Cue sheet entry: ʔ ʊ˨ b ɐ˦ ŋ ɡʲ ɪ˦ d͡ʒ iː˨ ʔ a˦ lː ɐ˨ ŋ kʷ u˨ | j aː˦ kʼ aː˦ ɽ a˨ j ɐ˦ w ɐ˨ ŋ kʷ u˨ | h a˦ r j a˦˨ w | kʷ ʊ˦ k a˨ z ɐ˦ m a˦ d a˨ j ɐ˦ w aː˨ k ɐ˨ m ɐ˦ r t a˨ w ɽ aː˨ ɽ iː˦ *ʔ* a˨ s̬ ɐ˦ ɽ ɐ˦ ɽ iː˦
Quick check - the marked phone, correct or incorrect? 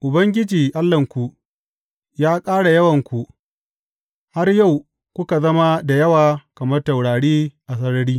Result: correct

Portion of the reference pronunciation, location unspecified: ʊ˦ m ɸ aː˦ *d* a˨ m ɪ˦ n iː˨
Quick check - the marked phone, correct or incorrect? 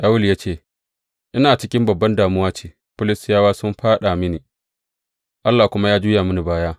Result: incorrect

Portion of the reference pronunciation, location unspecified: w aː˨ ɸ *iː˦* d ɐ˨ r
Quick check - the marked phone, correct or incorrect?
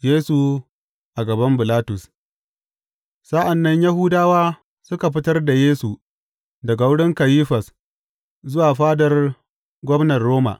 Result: incorrect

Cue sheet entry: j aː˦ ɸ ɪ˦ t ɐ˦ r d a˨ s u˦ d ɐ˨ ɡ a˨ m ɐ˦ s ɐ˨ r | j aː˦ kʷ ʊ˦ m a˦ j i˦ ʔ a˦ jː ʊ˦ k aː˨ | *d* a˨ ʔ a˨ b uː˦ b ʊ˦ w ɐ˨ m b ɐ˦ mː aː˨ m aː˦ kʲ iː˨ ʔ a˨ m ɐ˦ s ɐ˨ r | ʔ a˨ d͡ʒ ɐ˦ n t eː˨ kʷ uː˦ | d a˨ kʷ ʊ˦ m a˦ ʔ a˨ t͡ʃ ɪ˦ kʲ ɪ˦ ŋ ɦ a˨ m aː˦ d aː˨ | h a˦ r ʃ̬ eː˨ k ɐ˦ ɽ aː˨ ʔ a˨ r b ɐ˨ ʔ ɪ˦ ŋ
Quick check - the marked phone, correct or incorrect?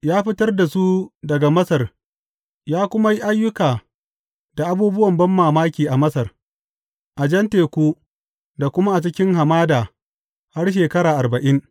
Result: correct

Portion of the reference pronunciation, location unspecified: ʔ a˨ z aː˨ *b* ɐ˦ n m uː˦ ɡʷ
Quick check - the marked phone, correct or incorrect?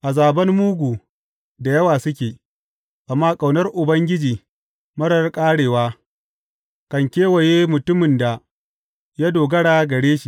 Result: correct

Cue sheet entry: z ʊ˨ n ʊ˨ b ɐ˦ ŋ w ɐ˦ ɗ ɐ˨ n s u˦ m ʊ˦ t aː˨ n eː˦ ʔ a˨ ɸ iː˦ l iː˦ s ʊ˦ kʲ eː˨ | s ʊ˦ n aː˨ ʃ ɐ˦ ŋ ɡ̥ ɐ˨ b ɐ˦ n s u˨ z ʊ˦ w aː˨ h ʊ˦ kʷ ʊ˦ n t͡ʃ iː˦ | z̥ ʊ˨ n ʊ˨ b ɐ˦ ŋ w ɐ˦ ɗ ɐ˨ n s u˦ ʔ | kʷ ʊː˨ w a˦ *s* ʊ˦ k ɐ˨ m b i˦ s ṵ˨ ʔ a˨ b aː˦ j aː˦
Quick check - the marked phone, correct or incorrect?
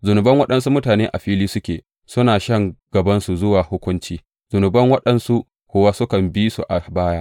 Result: correct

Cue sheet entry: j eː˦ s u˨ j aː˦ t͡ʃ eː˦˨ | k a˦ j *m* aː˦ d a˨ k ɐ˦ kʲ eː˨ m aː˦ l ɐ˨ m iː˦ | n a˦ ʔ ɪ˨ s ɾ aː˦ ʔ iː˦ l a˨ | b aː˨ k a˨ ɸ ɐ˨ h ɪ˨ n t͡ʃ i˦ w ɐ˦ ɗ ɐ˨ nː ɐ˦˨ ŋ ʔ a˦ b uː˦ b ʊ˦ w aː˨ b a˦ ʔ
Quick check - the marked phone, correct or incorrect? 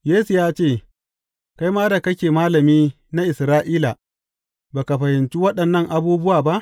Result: correct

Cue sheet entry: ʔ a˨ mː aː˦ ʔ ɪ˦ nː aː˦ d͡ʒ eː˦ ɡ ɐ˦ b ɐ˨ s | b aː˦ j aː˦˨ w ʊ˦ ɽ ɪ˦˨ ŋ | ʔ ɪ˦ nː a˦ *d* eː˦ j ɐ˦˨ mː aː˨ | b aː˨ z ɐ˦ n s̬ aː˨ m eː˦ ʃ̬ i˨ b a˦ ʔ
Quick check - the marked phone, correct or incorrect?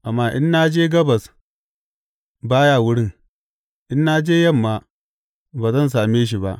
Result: incorrect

